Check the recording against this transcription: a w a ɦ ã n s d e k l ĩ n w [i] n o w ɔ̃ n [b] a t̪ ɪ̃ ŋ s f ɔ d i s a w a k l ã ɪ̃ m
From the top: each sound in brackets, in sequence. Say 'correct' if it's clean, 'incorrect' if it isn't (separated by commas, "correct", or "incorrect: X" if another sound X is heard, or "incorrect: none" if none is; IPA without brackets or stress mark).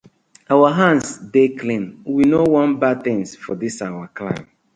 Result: correct, correct